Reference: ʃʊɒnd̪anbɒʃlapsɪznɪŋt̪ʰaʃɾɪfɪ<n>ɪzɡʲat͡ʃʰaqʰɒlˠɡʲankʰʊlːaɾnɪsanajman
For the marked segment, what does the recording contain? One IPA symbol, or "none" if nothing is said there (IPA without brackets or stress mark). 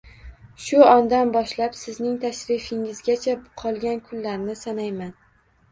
ŋ